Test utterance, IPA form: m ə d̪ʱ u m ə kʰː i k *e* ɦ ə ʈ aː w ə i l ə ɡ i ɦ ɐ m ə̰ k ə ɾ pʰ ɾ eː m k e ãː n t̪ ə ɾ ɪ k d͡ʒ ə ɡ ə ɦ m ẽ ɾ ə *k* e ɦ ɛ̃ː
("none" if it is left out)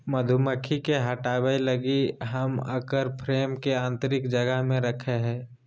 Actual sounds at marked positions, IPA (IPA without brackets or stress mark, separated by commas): e, kʰ